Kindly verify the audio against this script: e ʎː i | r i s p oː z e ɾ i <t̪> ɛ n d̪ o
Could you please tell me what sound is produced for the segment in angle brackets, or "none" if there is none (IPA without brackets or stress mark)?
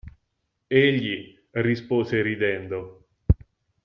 d̪